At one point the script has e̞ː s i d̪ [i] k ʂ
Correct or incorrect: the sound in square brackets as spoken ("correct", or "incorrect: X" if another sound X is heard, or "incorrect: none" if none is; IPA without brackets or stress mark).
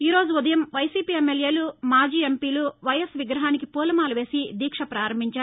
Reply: incorrect: iː